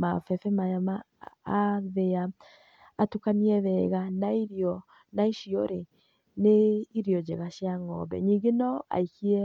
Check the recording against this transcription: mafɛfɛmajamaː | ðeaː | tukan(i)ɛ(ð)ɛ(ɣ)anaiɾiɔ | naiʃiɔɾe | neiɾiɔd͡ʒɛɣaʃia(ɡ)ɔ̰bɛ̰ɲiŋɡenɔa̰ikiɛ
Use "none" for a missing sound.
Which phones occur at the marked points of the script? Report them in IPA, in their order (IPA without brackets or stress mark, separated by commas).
i, ð, ɣ, ŋ